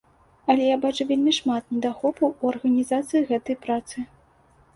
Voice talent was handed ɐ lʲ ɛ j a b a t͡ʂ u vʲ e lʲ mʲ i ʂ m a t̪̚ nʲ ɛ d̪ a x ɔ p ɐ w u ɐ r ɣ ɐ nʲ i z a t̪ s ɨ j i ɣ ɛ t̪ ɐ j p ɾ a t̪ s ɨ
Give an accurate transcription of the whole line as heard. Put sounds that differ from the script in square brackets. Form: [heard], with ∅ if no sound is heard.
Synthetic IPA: ɐ lʲ ɛ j a b a t͡ʂ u vʲ e lʲ mʲ i ʂ m a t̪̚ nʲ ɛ d̪ a x ɔ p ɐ w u ɐ r ɣ ɐ nʲ i z a t̪ s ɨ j i ɣ ɛ t̪ ɐ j p ɾ a t̪ s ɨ